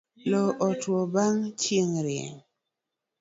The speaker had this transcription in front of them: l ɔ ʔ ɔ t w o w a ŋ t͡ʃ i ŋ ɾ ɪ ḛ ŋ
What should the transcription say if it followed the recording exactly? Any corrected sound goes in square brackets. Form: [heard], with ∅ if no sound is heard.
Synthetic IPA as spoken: l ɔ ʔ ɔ t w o [b] a ŋ t͡ʃ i ŋ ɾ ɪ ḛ ŋ